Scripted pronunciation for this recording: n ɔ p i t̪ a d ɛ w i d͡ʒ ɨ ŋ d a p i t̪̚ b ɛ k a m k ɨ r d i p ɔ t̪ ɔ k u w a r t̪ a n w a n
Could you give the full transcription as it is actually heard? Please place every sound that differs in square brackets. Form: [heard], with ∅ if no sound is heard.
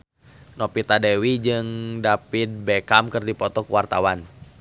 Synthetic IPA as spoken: n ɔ p i t̪ a d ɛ w i d͡ʒ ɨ ŋ d a p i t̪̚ b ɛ k a m k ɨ r d i p ɔ t̪ ɔ k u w a r t̪ a [∅] w a n